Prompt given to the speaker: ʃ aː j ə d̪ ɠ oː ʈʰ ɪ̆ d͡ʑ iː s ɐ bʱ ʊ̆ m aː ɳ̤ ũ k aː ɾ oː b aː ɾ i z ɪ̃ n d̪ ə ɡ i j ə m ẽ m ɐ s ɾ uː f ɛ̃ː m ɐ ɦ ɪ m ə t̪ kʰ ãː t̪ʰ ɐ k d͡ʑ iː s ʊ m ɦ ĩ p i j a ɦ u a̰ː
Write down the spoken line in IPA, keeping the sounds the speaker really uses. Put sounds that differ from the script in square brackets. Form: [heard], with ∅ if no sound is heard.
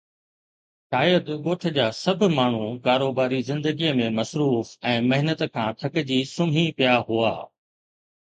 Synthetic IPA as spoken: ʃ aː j ə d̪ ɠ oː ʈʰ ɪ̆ d͡ʑ [aː] s ɐ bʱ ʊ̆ m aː ɳ̤ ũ k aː ɾ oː b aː ɾ i z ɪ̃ n d̪ ə ɡ i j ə m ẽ m ɐ s ɾ uː f ɛ̃ː m ɐ ɦ ɪ [n] ə t̪ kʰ ãː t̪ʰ ɐ k d͡ʑ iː s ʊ m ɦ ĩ p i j a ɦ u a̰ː